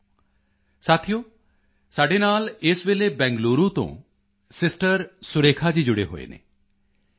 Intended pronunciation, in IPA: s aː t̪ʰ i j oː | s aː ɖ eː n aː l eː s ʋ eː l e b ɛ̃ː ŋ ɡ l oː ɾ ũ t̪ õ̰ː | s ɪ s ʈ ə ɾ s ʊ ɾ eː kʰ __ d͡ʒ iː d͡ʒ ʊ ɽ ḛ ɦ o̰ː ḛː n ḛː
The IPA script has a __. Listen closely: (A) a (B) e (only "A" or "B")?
A